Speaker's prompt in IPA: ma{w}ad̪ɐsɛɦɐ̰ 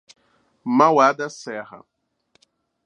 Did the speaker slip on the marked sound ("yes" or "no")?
no